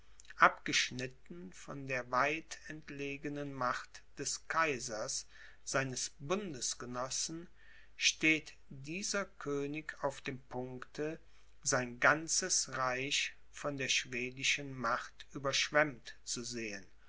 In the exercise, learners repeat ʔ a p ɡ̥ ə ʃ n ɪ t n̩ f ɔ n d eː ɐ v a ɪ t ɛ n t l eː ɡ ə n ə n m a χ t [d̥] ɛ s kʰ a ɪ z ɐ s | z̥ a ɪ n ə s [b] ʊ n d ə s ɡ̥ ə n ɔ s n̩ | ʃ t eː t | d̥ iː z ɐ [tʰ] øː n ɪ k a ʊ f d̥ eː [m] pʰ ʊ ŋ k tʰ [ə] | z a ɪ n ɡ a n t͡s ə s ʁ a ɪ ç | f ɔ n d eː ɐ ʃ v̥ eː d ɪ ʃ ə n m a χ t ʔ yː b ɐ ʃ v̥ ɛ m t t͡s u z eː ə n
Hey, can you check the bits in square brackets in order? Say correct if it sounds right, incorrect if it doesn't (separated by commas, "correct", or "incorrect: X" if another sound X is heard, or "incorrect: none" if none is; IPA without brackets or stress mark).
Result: correct, correct, incorrect: kʰ, correct, correct